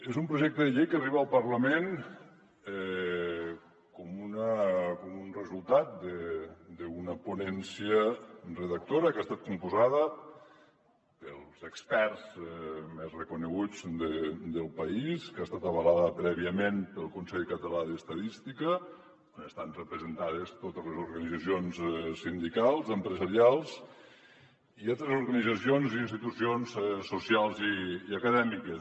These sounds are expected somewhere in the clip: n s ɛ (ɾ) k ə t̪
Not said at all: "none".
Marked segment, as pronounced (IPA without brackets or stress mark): ʎ